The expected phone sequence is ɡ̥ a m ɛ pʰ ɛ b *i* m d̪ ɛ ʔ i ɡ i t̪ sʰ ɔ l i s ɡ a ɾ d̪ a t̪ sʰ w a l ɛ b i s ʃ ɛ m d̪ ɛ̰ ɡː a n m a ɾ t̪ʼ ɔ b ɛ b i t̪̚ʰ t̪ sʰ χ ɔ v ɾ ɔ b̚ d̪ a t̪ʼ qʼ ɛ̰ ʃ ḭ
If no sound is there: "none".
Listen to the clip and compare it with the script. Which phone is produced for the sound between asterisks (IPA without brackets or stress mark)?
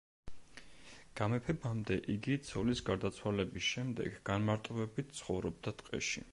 a